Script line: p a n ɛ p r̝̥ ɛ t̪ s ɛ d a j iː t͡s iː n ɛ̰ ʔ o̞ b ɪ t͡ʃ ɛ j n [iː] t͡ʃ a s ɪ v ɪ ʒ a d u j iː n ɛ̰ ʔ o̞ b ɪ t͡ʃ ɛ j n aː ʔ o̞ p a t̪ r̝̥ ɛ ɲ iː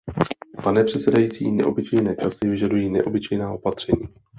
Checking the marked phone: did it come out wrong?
yes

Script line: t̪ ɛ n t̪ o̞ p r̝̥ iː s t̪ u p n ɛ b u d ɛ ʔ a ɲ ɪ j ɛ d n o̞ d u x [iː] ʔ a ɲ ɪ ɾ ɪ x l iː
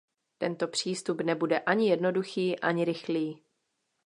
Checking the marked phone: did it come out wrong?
no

